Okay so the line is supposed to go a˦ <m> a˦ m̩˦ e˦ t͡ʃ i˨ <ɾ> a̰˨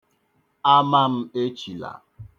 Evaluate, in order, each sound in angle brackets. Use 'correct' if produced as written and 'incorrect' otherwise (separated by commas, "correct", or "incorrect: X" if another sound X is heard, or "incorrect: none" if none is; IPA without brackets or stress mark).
correct, incorrect: l